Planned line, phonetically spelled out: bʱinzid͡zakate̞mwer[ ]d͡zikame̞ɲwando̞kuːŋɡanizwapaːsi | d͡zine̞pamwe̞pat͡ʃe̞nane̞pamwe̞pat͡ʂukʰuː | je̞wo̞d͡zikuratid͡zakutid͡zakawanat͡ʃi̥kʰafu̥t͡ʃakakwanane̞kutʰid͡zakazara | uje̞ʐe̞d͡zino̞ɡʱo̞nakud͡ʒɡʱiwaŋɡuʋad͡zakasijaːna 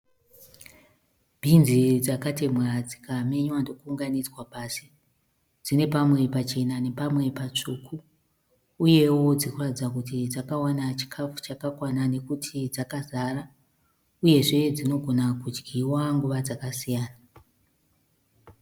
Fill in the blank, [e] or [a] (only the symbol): a